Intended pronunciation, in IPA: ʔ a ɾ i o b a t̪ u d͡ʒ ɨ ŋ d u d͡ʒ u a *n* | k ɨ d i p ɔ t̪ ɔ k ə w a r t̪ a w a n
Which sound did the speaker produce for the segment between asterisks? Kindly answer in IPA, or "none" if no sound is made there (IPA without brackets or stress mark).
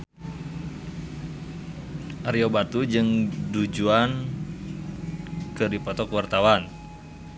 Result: n